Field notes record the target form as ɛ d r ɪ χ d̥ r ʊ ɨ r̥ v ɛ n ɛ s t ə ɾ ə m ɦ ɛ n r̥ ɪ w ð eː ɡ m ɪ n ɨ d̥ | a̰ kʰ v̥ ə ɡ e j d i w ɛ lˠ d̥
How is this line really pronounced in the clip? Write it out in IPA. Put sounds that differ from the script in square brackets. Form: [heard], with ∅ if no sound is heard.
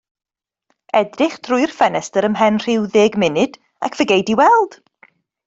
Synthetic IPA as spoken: ɛ d r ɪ χ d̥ r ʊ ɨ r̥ [f] ɛ n ɛ s t ə ɾ ə m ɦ ɛ n r̥ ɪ w ð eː ɡ m ɪ n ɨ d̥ | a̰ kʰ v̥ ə ɡ e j d i w ɛ lˠ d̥